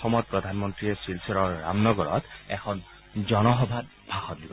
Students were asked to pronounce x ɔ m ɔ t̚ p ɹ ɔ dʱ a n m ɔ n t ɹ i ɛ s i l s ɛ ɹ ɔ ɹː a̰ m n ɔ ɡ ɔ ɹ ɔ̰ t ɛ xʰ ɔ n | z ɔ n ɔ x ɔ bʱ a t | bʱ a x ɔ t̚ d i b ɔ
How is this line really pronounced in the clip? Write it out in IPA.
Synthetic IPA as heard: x ɔ m ɔ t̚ p ɹ ɔ dʱ a n m ɔ n t ɹ i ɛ s i l s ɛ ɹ ɔ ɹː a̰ m n ɔ ɡ ɔ ɹ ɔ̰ t ɛ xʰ ɔ n | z ɔ n ɔ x ɔ bʱ a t | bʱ a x ɔ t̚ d i b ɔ